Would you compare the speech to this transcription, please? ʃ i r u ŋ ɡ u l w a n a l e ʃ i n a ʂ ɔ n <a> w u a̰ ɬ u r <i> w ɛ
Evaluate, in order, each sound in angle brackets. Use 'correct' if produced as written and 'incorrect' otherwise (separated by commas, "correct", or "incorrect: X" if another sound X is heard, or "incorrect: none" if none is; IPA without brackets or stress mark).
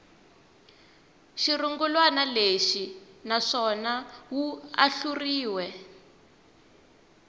correct, incorrect: iː